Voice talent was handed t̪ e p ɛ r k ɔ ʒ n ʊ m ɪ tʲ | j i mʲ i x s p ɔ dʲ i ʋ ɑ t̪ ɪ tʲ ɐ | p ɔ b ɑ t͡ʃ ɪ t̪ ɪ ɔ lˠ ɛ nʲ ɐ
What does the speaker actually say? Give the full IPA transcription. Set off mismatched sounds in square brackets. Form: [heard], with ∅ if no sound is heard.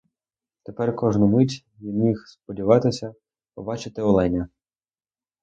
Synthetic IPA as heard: t̪ e p ɛ r k ɔ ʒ n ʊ m ɪ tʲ | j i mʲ i x s p ɔ dʲ i ʋ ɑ t̪ ɪ [sʲ] ɐ | p ɔ b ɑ t͡ʃ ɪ t̪ ɪ ɔ lˠ ɛ nʲ ɐ